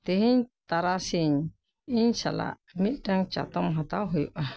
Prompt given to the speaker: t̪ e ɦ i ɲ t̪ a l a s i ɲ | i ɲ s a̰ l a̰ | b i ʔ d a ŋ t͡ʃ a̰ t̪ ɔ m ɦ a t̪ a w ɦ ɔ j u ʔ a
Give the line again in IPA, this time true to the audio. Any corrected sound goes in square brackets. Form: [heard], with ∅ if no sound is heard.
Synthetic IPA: t̪ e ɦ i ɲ t̪ a [ɾ] a s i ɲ | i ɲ s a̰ l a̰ | [m] i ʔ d a ŋ t͡ʃ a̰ t̪ ɔ m ɦ a t̪ a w ɦ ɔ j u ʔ a